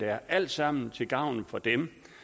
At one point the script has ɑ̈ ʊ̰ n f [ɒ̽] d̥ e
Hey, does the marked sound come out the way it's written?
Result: yes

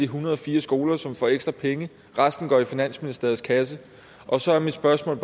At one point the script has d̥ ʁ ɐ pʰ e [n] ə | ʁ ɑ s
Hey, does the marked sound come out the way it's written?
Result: no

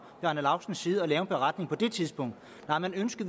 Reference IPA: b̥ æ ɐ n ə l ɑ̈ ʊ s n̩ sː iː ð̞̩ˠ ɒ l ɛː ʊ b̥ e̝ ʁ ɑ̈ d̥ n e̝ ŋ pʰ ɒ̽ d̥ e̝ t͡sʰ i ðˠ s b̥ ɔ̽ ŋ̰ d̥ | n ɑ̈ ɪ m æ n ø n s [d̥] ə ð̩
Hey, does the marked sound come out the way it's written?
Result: no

